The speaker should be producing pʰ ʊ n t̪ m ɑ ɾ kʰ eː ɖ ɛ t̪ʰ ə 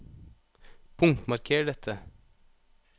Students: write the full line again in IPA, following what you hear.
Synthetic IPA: pʰ ʊ ŋ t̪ m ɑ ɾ kʰ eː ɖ ɛ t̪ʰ ə